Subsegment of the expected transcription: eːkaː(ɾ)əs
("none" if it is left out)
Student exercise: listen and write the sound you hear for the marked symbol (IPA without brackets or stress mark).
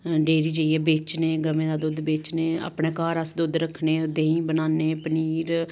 ɾ